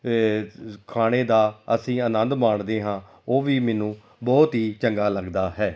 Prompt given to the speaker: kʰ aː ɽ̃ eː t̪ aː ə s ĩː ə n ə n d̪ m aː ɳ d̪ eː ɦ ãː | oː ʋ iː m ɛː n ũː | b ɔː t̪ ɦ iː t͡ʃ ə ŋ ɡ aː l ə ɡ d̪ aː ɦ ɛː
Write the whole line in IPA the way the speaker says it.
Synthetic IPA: kʰ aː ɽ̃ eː d̪ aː ə s ĩː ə n ə n d̪ m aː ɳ d̪ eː ɦ ãː | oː ʋ iː m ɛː n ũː | b ɔː t̪ ɦ iː t͡ʃ ə ŋ ɡ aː l ə ɡ d̪ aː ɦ ɛː